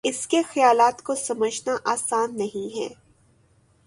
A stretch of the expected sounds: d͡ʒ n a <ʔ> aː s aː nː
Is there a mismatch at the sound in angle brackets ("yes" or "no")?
no